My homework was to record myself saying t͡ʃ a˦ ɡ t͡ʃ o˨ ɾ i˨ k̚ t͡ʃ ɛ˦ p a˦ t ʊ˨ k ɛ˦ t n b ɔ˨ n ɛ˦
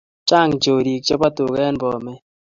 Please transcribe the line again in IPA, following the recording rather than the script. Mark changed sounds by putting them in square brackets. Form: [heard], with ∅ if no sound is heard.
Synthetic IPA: t͡ʃ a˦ [ŋ] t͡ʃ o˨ ɾ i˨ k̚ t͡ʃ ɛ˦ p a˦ t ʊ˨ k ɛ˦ [∅] n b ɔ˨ [m] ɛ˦

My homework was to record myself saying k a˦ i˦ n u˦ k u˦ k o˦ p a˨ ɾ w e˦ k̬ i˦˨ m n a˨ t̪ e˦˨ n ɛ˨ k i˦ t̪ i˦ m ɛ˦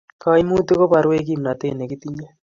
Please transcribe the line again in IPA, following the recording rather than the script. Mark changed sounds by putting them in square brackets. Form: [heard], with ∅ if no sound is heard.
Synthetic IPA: k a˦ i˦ [m] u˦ [t] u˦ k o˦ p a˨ ɾ w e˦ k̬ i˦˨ m n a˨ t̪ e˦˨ n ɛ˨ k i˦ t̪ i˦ [ɲ] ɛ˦

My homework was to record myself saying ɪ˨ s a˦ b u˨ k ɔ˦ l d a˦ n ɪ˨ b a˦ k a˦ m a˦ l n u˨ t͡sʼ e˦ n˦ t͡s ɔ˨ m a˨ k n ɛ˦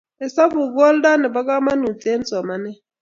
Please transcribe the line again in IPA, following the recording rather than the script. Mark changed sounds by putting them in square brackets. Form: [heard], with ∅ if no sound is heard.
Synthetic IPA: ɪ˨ s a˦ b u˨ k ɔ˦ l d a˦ n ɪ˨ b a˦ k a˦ m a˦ [∅] n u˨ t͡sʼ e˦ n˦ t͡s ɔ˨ m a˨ [∅] n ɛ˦

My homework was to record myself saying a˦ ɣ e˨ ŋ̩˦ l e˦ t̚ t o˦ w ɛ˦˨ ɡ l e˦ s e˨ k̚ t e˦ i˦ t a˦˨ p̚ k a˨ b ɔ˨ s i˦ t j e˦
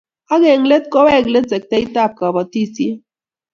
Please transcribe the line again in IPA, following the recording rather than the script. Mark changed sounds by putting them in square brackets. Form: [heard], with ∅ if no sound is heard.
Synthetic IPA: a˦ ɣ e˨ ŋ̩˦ l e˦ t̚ [k] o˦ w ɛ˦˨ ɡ l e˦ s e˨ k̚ t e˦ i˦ t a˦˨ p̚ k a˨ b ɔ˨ [t] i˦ [s] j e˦

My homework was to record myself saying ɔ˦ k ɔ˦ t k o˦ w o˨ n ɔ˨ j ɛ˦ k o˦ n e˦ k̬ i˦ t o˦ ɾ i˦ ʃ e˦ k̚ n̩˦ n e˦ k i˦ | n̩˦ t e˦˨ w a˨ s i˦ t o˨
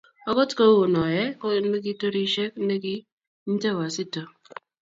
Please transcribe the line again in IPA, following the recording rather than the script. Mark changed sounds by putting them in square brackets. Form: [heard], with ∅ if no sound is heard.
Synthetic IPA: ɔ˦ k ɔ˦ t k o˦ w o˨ n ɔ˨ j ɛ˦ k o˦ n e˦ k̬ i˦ t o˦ ɾ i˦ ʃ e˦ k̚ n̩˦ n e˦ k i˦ | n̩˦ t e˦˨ w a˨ s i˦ t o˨

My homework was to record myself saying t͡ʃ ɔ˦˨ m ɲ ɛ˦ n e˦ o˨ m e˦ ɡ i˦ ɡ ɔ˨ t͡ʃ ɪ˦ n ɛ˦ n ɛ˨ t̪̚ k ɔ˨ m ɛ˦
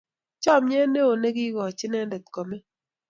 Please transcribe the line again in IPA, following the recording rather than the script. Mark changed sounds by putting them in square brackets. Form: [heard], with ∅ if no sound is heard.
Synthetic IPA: t͡ʃ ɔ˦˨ m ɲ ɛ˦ n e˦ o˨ [n] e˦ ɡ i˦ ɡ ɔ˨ t͡ʃ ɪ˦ n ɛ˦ [d] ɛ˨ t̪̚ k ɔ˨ m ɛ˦

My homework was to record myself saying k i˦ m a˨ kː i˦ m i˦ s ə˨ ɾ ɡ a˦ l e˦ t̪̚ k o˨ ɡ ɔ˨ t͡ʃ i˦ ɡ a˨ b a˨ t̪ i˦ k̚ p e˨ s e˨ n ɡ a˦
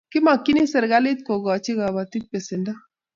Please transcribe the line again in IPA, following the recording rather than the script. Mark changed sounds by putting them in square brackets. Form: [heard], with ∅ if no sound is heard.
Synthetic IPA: k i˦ m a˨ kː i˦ [n] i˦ s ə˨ ɾ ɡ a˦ l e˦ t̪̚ k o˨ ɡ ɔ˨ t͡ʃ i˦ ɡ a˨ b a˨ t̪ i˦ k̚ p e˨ s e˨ n [d] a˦

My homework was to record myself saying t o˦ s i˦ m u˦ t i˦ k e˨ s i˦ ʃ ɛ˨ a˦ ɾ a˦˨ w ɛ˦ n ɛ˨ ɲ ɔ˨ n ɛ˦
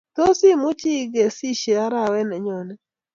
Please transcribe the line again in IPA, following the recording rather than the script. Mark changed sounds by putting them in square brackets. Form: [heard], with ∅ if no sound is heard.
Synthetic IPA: t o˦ s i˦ m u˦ [t͡ʃ] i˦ [ɡ] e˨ s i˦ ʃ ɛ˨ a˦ ɾ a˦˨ w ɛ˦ n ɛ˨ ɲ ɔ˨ n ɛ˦

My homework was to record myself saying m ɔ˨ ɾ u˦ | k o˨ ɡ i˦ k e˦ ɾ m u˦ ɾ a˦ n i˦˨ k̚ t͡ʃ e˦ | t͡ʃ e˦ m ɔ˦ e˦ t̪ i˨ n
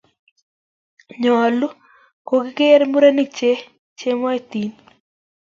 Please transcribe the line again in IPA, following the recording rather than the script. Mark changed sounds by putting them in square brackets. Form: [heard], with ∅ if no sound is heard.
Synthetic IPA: [ɲ] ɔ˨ [l] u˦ | k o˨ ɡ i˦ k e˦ ɾ m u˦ ɾ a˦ n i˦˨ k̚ t͡ʃ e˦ | t͡ʃ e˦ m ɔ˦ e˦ t̪ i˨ n

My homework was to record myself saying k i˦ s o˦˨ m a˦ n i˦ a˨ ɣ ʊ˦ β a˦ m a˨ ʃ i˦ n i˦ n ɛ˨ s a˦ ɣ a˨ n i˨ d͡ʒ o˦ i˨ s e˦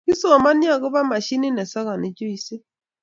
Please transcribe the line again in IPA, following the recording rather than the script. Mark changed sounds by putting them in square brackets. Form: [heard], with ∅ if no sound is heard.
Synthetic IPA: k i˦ s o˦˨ m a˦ n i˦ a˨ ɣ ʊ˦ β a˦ m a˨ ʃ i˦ n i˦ n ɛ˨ s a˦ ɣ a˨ n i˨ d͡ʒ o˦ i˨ s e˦

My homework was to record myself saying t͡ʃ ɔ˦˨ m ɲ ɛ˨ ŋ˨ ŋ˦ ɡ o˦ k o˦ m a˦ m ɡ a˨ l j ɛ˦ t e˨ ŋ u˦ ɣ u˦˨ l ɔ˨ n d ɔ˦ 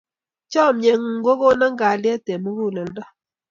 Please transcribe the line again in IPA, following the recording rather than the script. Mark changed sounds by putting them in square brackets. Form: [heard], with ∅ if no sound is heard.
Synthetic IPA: t͡ʃ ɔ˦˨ m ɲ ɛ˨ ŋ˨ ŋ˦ ɡ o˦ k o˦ [n] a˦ [ŋ] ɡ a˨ l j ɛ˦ t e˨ [m] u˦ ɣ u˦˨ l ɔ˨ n d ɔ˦

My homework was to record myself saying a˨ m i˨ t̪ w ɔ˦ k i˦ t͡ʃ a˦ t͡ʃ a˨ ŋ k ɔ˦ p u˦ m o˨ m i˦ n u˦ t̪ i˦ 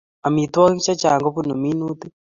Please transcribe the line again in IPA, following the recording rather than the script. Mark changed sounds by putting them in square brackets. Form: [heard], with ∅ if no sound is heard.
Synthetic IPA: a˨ m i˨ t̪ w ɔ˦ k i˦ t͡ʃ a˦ t͡ʃ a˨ ŋ [ɡ] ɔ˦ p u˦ [n] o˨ m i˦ n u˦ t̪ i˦

